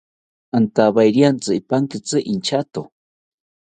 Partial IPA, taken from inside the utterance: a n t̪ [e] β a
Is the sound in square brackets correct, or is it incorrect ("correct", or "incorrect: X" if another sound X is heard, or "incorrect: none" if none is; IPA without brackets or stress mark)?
incorrect: a